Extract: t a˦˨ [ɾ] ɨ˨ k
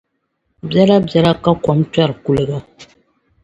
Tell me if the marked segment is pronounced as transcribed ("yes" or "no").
yes